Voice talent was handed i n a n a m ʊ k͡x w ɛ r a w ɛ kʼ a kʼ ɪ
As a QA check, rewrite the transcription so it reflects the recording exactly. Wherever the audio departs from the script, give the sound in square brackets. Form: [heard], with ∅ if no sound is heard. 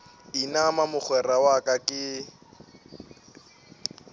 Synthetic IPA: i n a [m] a m ʊ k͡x w ɛ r a w [a] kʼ a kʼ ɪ